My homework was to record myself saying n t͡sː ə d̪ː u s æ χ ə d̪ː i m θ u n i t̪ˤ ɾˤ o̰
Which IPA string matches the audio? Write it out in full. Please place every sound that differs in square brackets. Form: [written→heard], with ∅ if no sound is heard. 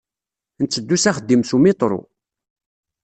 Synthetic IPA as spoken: n t͡sː ə d̪ː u s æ χ ə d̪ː i m [θ→s] u [n→m] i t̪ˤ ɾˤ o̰